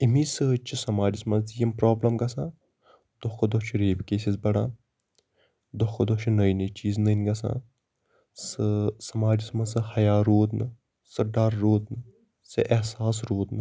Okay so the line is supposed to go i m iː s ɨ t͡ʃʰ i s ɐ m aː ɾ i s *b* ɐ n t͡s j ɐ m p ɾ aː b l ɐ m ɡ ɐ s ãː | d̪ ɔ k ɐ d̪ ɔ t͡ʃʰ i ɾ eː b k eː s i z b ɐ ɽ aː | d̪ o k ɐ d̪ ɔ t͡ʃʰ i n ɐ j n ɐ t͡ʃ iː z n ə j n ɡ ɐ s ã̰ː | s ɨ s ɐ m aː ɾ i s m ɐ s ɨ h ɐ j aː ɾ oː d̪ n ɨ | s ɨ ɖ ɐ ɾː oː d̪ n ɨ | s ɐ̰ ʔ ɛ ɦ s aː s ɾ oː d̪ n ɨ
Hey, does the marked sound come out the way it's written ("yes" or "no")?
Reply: no